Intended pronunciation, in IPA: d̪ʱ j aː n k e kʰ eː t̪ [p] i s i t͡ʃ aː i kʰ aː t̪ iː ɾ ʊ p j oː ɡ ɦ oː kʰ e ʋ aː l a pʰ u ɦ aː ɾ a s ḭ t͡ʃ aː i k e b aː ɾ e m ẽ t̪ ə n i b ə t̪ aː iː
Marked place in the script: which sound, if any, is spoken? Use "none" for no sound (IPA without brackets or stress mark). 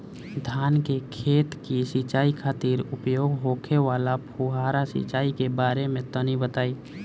k